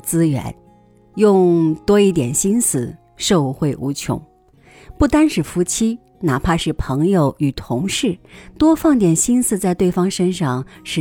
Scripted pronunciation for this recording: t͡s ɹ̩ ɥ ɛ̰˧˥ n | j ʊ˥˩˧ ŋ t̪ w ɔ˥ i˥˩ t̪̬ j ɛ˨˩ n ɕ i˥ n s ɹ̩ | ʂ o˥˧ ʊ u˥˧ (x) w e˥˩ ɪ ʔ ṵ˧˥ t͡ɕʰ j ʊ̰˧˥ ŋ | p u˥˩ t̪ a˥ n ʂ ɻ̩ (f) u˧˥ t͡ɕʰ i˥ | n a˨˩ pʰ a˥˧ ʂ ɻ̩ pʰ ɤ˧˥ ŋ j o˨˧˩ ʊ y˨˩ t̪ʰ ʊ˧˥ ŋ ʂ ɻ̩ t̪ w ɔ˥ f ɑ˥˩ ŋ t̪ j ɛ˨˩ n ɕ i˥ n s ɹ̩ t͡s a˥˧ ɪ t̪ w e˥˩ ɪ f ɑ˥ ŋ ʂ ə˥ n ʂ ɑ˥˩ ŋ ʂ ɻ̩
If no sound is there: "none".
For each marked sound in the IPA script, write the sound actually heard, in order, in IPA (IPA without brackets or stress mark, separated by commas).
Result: x, f